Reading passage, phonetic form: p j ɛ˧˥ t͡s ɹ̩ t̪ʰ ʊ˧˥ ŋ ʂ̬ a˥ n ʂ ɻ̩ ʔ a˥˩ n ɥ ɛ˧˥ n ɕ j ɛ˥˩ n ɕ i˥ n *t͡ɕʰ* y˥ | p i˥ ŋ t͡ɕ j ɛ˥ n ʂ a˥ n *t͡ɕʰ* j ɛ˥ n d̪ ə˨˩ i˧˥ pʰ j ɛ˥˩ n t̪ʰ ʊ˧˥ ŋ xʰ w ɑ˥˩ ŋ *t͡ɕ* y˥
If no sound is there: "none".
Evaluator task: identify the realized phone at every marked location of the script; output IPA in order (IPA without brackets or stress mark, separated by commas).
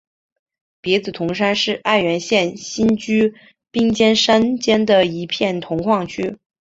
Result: t͡ɕ, t͡ɕ, t͡ɕʰ